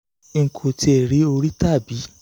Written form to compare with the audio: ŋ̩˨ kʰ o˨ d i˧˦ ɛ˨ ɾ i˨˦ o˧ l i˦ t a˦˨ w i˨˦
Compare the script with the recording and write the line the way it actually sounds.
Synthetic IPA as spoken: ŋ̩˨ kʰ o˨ t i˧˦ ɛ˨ ɾ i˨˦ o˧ ɾ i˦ t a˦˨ b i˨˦